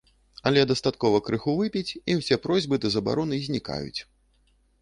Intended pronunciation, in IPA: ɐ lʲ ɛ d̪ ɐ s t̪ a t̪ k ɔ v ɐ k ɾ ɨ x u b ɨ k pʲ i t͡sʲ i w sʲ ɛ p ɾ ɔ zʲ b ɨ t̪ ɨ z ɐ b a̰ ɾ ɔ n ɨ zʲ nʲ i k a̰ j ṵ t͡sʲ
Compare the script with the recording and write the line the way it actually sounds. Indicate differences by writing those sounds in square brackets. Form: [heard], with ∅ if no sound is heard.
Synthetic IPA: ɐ lʲ ɛ d̪ ɐ s t̪ a t̪ k ɔ v ɐ k ɾ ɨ x u [v] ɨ [∅] pʲ i t͡sʲ i w sʲ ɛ p ɾ ɔ zʲ b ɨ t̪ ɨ z ɐ b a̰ ɾ ɔ n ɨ zʲ nʲ i k a̰ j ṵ t͡sʲ